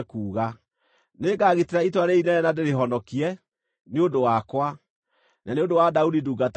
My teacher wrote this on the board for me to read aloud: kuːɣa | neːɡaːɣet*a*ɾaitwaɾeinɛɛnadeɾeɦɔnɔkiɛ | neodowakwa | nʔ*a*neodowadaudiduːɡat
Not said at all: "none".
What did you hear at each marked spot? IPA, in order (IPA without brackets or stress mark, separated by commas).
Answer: e, a